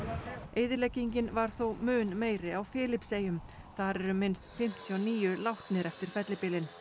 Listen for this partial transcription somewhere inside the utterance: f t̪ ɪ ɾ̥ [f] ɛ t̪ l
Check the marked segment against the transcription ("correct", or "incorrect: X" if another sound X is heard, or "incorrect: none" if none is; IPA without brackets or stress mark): correct